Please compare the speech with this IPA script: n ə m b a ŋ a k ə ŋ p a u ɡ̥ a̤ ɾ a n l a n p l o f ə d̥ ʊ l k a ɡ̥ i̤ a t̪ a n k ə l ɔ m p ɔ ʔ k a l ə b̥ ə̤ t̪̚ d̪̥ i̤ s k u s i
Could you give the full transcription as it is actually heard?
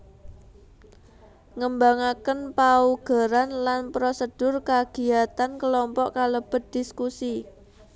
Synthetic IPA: ŋ ə m b a ŋ a k ə n p a u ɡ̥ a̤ ɾ a n l a n p ɾ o s ə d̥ ʊ r k a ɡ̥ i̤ a t̪ a n k ə l ɔ m p ɔ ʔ k a l ə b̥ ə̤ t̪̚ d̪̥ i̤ s k u s i